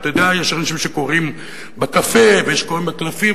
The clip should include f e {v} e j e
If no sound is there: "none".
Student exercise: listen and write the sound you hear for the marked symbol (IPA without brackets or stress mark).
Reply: v